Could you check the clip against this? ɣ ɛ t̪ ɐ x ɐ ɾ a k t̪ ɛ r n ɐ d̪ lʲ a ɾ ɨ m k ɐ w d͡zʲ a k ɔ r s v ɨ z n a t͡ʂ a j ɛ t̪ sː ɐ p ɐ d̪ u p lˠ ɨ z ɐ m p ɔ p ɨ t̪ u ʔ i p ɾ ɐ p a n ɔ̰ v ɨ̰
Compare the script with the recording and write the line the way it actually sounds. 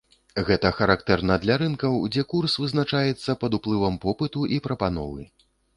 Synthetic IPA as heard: ɣ ɛ t̪ ɐ x ɐ ɾ a k t̪ ɛ r n ɐ d̪ lʲ a ɾ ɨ n k ɐ w d͡zʲ ɛ k u r s v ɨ z n a t͡ʂ a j ɛ t̪ sː ɐ p ɐ d̪ u p lˠ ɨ v ɐ m p ɔ p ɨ t̪ u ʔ i p ɾ ɐ p a n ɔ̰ v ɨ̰